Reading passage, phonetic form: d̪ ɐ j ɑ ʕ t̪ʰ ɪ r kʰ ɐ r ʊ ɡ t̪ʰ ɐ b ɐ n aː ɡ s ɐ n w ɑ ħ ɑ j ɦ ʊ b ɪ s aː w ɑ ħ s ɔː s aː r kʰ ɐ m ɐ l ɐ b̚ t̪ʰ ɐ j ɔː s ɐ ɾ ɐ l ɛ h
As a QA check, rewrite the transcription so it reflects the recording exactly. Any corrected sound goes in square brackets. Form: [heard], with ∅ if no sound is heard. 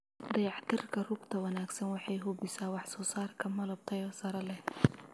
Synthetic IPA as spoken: d̪ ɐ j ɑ ʕ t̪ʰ ɪ r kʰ ɐ r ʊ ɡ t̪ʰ ɐ [w] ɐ n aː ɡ s ɐ n w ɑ ħ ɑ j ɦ ʊ b ɪ s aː w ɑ ħ s ɔː s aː r kʰ ɐ m ɐ l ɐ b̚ t̪ʰ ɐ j ɔː s ɐ ɾ ɐ l ɛ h